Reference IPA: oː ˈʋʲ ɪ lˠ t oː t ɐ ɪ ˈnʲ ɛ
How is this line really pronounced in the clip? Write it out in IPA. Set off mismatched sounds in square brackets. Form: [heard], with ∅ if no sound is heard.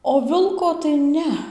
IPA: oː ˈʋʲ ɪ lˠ [k] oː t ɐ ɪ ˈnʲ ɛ

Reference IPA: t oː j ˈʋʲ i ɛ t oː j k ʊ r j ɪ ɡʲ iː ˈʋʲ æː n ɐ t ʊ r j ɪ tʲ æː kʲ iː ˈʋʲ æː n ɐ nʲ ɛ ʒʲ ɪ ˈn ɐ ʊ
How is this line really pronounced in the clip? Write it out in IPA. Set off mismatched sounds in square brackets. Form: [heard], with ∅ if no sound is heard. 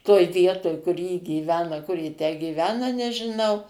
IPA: t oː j ˈʋʲ i ɛ t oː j k ʊ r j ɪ ɡʲ iː ˈʋʲ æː n ɐ [k] ʊ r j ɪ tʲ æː [ɡʲ] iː ˈʋʲ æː n ɐ nʲ ɛ ʒʲ ɪ ˈn ɐ ʊ

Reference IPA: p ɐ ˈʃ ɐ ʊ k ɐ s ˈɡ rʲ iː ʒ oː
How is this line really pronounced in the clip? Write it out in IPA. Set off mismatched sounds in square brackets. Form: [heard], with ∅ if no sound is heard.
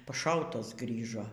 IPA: p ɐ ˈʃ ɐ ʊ [t] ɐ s ˈɡ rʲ iː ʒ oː

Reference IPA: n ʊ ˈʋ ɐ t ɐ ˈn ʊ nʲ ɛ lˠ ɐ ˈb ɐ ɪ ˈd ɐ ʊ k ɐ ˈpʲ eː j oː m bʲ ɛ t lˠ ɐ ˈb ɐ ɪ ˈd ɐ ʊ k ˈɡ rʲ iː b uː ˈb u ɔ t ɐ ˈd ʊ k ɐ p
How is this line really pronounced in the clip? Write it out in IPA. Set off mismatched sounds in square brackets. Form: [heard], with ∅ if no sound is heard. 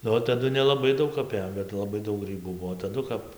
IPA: n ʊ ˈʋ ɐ t ɐ [ˈd] ʊ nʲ ɛ lˠ ɐ ˈb ɐ ɪ ˈd ɐ ʊ k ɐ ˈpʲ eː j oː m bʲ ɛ t lˠ ɐ ˈb ɐ ɪ ˈd ɐ ʊ k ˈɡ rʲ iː b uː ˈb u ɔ t ɐ ˈd ʊ k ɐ p

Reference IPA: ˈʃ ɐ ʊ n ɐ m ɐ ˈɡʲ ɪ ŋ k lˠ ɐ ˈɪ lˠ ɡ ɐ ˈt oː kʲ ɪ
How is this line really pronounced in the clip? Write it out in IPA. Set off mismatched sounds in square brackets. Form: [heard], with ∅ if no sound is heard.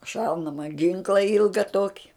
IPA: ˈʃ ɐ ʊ n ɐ m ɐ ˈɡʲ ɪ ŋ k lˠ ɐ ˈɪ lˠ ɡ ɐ ˈt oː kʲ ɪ

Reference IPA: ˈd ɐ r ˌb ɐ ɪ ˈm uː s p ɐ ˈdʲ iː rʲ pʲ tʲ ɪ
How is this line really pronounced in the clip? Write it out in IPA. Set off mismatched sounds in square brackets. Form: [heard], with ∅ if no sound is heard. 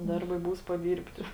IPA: ˈd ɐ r ˌb ɐ ɪ [ˈb] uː s p ɐ ˈdʲ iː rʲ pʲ tʲ ɪ

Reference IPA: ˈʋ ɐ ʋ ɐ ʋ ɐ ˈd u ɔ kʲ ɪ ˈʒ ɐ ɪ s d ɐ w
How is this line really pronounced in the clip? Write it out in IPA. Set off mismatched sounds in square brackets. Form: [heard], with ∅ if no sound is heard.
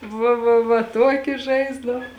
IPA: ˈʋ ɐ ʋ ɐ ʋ ɐ [ˈt] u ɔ kʲ ɪ ˈʒ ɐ ɪ [z] d ɐ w

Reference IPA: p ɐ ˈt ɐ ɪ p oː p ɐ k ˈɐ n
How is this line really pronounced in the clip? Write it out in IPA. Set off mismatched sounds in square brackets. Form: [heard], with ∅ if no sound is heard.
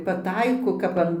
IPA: p ɐ ˈt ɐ ɪ [k] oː [k] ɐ [p] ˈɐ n

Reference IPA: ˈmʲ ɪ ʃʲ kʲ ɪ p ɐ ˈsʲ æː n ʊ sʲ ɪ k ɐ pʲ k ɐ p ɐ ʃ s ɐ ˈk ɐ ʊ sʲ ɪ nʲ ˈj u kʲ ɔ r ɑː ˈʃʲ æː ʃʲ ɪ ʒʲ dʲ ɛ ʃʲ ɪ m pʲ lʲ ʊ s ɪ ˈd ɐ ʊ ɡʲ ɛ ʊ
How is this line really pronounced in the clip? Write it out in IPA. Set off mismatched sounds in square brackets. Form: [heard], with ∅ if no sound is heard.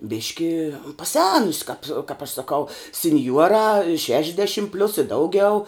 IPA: [ˈbʲ] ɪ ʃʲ kʲ ɪ p ɐ ˈsʲ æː n ʊ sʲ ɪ k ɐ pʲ k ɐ p ɐ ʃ s ɐ ˈk ɐ ʊ sʲ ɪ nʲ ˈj u [∅] ɔ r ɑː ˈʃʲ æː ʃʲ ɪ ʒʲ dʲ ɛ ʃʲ ɪ m pʲ lʲ ʊ s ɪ ˈd ɐ ʊ ɡʲ ɛ ʊ

